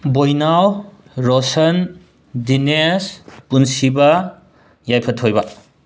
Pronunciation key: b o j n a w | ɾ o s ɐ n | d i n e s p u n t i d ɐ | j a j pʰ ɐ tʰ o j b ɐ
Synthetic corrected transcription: b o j n a w | ɾ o s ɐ n | d i n e s p u n s i b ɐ | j a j pʰ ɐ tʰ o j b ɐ